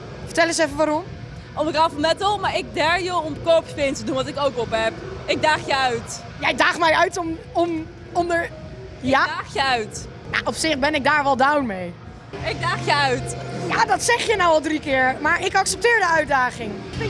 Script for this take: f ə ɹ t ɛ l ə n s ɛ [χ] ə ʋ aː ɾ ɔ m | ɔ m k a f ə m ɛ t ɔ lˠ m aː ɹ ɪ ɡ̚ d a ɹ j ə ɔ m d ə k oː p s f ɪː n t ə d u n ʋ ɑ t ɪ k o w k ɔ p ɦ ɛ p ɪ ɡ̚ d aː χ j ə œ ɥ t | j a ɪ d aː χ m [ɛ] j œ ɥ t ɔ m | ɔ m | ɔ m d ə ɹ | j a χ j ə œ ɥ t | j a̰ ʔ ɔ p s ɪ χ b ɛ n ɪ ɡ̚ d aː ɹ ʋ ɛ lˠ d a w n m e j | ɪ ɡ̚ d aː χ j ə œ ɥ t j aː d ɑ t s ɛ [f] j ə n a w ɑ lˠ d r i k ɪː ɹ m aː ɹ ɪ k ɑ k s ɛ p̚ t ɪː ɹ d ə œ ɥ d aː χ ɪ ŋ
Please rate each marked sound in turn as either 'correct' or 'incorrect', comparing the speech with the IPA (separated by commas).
incorrect, correct, incorrect